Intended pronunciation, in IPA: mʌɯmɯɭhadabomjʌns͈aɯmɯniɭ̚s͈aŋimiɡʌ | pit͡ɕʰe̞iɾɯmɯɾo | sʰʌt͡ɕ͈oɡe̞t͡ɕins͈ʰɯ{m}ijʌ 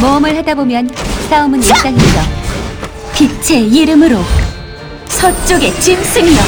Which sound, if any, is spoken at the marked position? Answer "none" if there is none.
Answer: ŋ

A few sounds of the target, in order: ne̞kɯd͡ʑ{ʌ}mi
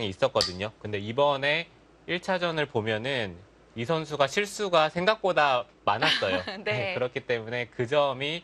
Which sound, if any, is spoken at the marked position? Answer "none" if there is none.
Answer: ʌ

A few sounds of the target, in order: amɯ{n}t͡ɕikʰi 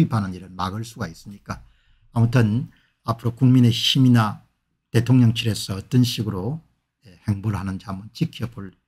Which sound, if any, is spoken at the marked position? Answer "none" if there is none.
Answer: n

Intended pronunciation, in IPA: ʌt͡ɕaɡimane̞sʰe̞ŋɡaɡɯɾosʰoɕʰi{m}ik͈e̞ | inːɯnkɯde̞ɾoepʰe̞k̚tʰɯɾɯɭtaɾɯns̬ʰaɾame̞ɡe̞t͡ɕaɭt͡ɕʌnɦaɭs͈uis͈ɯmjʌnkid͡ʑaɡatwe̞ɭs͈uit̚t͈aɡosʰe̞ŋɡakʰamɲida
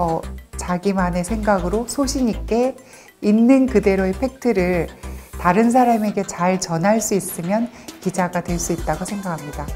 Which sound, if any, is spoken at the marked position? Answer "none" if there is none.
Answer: ɲ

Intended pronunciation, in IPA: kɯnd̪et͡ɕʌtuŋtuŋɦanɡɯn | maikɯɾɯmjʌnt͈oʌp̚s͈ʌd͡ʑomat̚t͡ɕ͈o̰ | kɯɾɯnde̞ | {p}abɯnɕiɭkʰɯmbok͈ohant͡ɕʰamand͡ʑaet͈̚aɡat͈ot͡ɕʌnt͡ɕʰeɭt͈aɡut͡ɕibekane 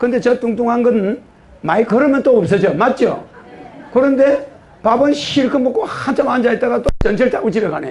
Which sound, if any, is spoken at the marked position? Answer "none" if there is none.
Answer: p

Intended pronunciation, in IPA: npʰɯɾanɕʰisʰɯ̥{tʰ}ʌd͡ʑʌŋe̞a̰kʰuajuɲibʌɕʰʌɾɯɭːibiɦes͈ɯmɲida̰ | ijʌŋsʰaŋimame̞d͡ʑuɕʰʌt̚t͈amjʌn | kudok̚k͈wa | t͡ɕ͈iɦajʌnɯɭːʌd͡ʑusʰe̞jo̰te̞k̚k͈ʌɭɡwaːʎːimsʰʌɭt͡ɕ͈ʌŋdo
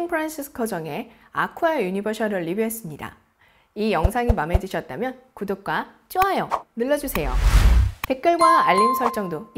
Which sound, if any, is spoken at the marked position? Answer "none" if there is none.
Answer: kʰ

